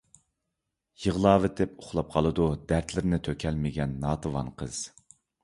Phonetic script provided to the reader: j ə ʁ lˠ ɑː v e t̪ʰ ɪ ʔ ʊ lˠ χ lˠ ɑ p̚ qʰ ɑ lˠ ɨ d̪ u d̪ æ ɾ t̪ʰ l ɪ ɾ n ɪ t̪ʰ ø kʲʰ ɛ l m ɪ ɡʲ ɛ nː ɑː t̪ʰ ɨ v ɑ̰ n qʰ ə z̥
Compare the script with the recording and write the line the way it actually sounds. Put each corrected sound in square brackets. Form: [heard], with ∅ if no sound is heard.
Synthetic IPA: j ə ʁ lˠ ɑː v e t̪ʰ ɪ [p] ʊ [∅] χ lˠ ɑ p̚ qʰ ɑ lˠ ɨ d̪ u d̪ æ ɾ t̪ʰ l ɪ ɾ n ɪ t̪ʰ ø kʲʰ ɛ l m ɪ ɡʲ ɛ nː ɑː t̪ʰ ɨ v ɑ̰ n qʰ ə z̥